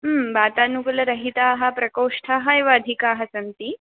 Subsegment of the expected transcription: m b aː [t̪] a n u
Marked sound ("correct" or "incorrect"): correct